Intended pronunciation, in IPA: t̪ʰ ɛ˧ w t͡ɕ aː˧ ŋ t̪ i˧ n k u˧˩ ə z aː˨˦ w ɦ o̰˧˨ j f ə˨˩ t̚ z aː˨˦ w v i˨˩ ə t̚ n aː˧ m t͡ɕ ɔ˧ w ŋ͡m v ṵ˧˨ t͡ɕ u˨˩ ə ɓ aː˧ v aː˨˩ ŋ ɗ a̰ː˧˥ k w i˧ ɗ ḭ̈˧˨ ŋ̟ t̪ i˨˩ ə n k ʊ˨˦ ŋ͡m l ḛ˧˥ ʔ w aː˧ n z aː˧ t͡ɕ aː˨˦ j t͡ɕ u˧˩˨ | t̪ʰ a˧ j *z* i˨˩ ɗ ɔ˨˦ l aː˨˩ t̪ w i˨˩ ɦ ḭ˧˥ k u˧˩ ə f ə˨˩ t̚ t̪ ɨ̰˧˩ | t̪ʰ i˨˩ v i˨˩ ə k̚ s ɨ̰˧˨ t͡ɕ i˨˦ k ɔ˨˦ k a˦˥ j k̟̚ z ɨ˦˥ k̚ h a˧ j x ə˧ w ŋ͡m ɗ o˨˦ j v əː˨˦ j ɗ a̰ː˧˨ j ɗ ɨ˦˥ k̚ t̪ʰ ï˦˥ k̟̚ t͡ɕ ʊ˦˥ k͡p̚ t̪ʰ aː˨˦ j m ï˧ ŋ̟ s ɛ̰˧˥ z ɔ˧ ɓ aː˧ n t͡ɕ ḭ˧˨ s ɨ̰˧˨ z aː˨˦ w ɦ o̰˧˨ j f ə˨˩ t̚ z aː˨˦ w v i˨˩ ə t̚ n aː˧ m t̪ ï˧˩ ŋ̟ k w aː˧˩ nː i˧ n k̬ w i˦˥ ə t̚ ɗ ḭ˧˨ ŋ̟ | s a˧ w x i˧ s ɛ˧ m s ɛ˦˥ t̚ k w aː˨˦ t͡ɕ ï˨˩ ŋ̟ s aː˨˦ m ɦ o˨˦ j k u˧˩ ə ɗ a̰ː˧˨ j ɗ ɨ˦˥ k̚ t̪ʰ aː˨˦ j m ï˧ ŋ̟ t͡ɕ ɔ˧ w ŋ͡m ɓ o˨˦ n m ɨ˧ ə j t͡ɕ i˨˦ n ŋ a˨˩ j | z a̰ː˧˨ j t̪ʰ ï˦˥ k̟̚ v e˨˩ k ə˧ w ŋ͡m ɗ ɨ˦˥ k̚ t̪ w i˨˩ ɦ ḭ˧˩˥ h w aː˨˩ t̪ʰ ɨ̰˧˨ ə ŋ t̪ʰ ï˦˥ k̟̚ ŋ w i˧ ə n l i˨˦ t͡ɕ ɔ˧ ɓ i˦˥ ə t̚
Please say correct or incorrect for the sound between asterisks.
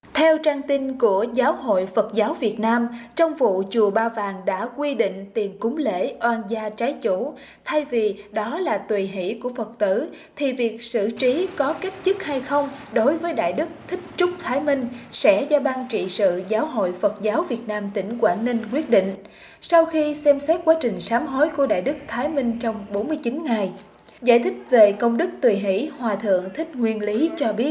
incorrect: v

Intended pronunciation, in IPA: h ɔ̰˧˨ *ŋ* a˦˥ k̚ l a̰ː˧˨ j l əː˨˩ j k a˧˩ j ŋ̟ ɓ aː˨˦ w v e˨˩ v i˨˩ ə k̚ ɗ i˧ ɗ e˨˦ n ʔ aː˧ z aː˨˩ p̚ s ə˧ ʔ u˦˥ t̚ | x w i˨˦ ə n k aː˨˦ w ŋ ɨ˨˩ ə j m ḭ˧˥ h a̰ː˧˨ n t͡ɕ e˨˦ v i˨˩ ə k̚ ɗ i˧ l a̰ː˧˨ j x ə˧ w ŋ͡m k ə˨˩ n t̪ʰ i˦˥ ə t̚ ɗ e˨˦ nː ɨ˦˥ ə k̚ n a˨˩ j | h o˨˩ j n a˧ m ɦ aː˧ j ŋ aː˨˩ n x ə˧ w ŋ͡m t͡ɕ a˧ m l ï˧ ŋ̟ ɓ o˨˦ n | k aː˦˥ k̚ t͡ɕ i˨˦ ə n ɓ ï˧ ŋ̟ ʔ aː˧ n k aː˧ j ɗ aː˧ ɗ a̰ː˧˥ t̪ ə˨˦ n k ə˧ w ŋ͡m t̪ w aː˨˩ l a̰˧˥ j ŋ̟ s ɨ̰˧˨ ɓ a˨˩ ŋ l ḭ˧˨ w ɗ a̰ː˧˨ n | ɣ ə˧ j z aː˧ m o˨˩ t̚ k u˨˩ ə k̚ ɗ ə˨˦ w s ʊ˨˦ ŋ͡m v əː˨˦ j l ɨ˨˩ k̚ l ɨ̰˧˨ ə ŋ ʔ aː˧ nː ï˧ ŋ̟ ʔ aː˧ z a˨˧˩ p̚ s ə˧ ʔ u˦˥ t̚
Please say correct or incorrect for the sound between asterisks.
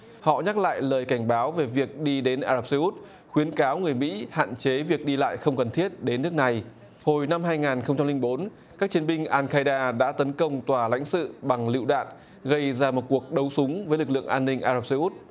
incorrect: ɲ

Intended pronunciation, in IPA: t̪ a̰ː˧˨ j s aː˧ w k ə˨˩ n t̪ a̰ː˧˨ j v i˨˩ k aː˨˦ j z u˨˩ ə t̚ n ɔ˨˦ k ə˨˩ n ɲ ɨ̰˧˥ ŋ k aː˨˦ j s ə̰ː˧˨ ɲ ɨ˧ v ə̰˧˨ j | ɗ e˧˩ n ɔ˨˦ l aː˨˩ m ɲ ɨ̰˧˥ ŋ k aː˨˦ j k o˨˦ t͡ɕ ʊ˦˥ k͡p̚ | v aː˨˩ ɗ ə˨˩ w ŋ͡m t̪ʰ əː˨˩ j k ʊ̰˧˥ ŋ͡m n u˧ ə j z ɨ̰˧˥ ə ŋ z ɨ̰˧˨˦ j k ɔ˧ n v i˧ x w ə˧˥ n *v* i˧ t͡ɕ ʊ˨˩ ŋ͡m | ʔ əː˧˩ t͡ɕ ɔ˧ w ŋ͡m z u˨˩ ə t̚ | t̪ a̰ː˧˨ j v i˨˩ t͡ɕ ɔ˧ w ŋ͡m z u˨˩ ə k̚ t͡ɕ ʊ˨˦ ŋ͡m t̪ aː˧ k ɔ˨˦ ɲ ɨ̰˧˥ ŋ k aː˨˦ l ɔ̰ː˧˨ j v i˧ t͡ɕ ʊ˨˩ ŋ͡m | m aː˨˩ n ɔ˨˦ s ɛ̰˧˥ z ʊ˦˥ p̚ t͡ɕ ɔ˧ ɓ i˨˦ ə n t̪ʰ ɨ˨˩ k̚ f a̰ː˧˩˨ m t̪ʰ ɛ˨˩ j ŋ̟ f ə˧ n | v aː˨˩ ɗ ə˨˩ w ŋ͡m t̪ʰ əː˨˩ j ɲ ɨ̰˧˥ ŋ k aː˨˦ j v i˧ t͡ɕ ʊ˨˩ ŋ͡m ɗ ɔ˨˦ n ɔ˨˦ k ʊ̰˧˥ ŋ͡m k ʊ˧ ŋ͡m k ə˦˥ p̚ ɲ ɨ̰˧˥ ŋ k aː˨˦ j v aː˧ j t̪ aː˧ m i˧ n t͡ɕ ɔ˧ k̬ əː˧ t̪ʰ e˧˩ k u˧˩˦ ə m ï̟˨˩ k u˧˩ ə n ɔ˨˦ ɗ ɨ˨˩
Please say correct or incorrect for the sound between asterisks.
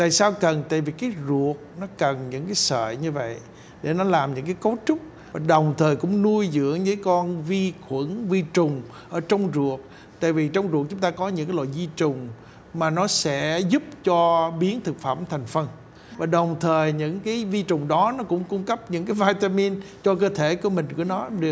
correct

